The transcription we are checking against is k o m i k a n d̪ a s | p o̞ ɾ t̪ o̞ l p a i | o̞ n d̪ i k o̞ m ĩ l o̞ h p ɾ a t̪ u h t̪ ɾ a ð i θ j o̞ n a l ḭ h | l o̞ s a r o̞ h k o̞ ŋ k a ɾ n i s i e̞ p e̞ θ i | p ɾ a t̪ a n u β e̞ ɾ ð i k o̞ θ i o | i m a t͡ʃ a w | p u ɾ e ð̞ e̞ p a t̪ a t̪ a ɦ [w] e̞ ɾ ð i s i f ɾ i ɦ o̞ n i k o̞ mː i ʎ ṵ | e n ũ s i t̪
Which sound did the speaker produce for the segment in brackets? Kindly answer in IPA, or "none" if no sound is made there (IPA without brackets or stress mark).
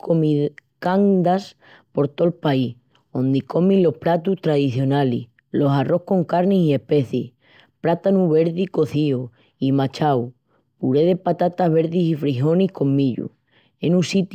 β